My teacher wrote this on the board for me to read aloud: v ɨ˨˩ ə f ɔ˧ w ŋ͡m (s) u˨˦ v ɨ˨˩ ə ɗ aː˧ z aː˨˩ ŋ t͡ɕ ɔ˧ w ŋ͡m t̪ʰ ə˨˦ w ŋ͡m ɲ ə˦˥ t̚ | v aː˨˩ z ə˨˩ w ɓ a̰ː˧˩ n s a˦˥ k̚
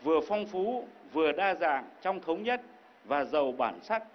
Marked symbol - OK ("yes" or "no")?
no